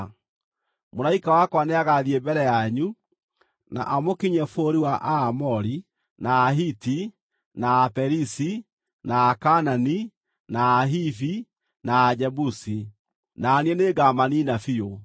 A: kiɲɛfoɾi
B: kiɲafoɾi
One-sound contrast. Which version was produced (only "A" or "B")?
A